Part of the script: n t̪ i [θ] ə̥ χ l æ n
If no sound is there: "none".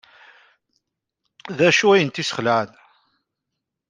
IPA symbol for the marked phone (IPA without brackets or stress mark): s